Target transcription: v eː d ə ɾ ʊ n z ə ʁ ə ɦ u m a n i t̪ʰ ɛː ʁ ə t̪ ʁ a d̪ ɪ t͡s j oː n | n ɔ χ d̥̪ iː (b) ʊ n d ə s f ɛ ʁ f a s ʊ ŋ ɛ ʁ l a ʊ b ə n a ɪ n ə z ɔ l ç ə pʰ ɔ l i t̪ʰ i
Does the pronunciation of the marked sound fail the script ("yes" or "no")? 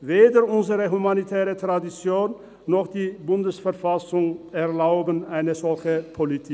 no